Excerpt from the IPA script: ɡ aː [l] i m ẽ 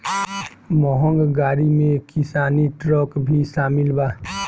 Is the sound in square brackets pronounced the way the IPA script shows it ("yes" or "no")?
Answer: no